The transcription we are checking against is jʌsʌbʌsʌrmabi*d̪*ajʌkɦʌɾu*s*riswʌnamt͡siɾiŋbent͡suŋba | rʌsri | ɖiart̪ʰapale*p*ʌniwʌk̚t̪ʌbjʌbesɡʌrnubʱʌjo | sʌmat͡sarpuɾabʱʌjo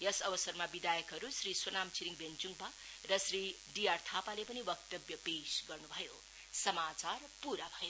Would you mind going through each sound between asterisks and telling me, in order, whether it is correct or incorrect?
correct, correct, correct

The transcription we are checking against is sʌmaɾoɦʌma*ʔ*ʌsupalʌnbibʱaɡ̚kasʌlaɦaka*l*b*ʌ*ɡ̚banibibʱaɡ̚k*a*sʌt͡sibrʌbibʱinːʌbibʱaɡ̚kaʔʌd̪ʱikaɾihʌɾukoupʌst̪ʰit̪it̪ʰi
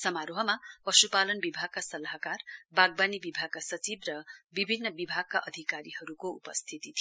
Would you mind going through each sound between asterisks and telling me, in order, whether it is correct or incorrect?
incorrect: p, incorrect: r, incorrect: a, correct

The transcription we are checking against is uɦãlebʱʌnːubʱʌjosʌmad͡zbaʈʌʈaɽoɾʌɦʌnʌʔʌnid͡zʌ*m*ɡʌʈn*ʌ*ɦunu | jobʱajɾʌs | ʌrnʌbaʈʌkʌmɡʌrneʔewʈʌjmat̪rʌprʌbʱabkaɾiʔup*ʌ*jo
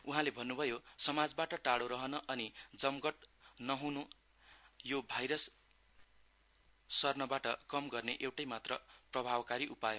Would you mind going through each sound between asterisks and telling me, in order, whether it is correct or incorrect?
correct, correct, incorrect: a

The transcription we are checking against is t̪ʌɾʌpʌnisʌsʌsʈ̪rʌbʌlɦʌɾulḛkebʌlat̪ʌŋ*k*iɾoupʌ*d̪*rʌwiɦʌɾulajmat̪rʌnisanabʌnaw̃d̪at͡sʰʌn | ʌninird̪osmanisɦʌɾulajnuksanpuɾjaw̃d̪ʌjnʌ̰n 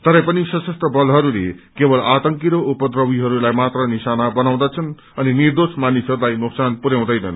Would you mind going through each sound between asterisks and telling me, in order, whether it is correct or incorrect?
correct, correct

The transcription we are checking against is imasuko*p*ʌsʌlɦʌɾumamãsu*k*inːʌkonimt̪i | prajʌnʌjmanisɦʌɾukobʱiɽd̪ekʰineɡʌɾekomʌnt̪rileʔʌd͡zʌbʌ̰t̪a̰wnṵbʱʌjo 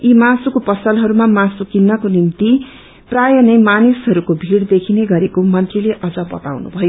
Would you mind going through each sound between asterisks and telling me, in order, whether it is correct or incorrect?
correct, correct

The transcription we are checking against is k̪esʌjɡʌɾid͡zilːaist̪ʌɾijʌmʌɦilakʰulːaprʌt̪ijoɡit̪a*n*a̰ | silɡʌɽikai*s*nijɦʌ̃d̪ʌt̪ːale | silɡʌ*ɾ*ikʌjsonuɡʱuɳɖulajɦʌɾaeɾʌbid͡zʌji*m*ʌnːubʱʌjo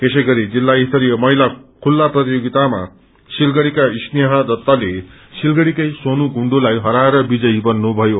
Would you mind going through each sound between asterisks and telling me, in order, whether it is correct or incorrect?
incorrect: m, correct, incorrect: ɽ, incorrect: b

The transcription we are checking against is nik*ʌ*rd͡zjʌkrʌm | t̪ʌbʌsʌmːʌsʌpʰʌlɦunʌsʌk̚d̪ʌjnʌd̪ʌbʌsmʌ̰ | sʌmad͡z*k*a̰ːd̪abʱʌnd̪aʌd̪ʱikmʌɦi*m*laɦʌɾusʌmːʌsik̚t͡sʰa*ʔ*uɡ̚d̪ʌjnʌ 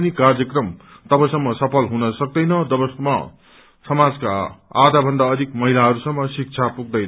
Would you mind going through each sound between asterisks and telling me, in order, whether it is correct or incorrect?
incorrect: a, correct, incorrect: none, incorrect: p

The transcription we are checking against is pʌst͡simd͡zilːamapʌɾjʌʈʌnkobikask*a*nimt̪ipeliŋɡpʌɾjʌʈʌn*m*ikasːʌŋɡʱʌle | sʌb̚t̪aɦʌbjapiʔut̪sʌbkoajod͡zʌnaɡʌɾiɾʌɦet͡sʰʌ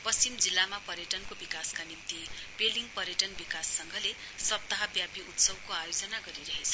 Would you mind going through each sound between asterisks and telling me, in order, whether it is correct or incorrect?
correct, incorrect: b

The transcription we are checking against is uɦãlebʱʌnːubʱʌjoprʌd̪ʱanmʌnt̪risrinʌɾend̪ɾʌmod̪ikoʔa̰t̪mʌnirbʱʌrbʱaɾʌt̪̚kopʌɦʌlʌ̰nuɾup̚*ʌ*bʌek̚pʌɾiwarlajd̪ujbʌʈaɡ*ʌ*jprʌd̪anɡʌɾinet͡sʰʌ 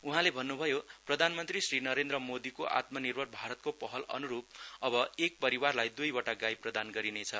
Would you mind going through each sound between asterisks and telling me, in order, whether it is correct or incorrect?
correct, incorrect: a

